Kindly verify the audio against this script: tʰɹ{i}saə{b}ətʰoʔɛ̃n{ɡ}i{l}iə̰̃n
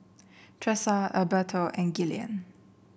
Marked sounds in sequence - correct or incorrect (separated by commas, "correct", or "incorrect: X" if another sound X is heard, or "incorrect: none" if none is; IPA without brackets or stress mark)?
incorrect: ɛ, correct, correct, correct